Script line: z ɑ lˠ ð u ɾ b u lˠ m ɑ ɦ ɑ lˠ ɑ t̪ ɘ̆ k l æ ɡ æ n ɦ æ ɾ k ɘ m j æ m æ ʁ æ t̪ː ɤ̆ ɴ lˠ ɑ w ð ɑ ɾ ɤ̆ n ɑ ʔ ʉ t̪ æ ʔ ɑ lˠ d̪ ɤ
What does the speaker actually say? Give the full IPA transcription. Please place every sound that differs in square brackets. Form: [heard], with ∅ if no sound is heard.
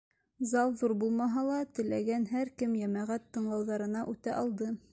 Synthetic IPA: z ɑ lˠ ð u ɾ b u lˠ m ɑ ɦ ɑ lˠ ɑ t̪ ɘ̆ [∅] l æ ɡ æ n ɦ æ ɾ k ɘ m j æ m æ ʁ æ t̪ː ɤ̆ ɴ lˠ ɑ w ð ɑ ɾ ɤ̆ n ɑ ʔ ʉ t̪ æ ʔ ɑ lˠ d̪ ɤ